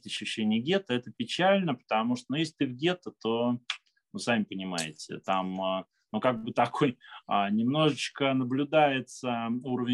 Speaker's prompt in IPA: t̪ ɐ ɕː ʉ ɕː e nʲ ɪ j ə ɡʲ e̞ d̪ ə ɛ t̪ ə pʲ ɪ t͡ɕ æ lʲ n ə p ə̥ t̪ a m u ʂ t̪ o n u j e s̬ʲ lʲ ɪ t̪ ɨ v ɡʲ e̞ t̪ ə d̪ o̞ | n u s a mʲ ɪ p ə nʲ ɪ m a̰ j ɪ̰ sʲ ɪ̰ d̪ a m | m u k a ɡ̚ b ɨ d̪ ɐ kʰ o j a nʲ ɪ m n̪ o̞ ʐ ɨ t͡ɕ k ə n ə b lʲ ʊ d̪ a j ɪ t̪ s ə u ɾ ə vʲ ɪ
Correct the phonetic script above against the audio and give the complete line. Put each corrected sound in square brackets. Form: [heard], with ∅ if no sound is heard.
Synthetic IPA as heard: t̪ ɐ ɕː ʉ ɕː e nʲ ɪ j ə ɡʲ e̞ [t̪] ə ɛ t̪ ə pʲ ɪ t͡ɕ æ lʲ n ə p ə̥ t̪ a m u ʂ t̪ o n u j e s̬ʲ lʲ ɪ t̪ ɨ v ɡʲ e̞ t̪ ə [t̪] o̞ | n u s a mʲ ɪ p ə nʲ ɪ m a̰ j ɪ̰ [tʲ] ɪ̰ [t̪] a m | [n] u k a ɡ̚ b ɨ [t̪] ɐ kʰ o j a nʲ ɪ m n̪ o̞ ʐ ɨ t͡ɕ k ə n ə b lʲ ʊ d̪ a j ɪ t̪ s ə u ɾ ə vʲ ɪ